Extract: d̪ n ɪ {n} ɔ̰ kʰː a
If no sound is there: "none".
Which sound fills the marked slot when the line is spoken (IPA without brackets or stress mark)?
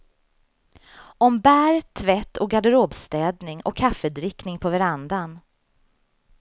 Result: ŋ